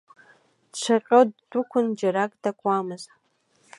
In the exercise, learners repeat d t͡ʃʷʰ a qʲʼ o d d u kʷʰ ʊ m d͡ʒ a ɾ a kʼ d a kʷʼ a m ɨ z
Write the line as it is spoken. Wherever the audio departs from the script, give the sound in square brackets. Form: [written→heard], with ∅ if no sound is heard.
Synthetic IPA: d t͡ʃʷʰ a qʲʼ o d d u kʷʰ ʊ [m→n] d͡ʒ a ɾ a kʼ d a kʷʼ a m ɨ z